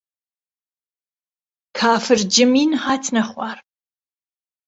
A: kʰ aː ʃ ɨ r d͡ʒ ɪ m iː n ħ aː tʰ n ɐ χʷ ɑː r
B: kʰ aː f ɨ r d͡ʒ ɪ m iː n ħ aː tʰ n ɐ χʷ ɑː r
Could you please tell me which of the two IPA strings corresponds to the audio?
B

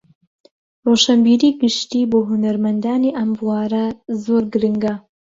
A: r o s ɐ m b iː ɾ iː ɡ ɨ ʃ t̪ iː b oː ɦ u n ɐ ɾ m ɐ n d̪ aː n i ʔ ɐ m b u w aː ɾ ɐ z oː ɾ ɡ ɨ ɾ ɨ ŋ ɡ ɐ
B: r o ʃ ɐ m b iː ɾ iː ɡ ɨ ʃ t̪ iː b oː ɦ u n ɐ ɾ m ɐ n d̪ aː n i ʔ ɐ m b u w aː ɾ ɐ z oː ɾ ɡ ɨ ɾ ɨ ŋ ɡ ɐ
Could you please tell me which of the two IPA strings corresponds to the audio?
B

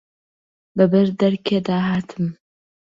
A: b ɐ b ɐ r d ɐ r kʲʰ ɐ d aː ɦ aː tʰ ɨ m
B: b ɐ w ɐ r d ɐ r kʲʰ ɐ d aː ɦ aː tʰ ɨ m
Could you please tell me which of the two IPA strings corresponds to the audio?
A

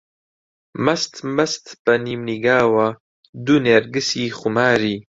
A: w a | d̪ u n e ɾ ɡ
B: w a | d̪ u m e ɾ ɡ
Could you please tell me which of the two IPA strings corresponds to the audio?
A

